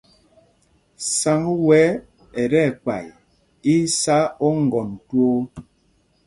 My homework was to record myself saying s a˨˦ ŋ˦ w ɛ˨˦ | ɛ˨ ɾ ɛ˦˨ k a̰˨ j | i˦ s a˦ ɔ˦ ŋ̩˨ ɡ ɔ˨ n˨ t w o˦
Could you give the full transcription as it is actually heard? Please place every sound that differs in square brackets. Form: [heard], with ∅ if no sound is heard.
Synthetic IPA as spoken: s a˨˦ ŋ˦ w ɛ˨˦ | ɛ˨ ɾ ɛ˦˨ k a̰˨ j | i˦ s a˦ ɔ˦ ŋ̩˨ ɡ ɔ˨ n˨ t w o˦